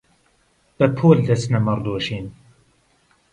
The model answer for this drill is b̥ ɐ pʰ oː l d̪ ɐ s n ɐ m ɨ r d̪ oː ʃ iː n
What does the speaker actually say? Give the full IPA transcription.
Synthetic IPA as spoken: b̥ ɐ pʰ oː l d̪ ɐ s n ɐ m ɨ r d̪ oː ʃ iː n